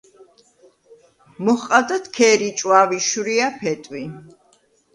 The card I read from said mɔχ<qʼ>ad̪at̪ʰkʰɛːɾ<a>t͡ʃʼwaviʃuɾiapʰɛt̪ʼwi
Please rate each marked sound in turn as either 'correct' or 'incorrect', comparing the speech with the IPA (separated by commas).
correct, incorrect